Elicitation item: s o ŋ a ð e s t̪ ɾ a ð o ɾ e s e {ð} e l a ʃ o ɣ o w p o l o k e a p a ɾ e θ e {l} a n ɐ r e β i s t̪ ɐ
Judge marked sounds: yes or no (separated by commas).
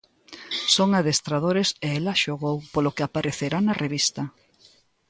no, no